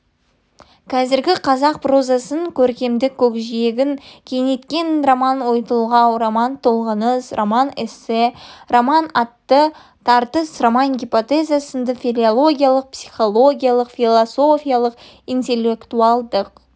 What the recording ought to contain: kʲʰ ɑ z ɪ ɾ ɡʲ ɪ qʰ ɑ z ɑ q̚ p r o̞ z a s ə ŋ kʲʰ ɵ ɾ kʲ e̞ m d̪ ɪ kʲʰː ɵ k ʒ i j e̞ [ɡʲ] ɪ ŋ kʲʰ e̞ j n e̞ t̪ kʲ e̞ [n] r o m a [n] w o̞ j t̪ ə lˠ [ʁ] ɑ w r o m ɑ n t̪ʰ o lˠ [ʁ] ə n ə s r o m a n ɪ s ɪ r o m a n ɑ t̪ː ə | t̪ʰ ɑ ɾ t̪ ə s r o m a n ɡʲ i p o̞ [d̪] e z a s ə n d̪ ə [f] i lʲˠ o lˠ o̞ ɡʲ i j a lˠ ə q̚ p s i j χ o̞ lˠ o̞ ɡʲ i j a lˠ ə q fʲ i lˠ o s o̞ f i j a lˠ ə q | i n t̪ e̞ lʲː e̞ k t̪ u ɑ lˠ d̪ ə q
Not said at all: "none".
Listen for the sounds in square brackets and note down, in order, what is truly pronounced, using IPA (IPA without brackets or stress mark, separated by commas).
ɡʲ, n, n, ʁ, ʁ, t̪, f